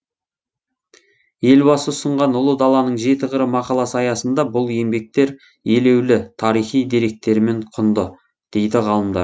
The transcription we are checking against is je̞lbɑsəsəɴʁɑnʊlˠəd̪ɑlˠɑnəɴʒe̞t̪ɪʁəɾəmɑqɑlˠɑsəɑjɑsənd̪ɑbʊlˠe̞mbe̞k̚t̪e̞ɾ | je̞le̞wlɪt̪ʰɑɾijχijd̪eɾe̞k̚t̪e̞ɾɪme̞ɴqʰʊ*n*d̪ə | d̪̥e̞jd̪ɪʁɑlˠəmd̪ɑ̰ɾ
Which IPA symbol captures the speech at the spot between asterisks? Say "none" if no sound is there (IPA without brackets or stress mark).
n